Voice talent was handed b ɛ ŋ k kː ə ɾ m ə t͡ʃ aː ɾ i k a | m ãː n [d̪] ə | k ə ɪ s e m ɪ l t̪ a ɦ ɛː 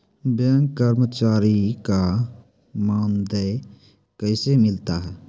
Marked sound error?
no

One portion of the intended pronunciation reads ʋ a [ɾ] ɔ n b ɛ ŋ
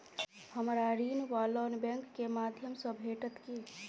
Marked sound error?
yes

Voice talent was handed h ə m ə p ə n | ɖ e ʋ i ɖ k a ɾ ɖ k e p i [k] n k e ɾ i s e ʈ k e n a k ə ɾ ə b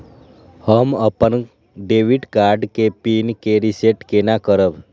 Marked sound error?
yes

